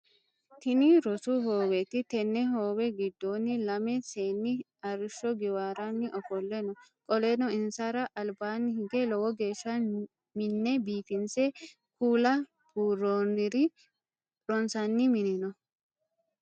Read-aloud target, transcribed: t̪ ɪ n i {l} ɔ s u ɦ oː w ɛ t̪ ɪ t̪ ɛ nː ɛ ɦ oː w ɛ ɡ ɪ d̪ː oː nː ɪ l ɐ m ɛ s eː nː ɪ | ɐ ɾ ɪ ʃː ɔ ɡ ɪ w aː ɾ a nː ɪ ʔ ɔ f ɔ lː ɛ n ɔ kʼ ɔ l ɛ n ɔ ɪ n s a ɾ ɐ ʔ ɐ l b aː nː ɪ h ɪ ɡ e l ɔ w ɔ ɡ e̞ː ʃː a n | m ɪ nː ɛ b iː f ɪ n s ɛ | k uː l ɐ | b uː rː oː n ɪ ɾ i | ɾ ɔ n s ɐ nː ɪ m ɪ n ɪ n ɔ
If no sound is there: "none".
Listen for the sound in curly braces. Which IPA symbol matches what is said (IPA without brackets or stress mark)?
ɾ